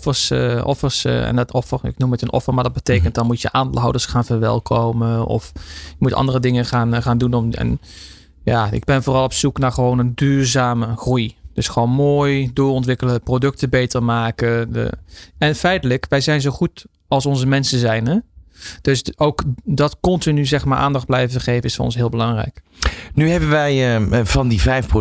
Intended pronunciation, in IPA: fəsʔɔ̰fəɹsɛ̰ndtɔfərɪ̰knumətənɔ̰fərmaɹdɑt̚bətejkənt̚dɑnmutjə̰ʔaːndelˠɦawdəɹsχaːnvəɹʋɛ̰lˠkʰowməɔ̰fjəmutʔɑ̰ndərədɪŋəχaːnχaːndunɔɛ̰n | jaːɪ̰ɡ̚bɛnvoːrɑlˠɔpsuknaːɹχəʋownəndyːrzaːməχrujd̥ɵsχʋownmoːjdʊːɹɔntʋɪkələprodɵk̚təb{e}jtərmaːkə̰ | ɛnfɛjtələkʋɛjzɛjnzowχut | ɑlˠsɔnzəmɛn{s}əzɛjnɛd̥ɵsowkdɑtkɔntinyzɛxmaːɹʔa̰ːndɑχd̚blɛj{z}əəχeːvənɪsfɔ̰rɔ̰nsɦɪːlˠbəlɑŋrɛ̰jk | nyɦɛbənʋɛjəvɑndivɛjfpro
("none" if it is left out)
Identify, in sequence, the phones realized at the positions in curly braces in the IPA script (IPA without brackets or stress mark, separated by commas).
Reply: e, s, v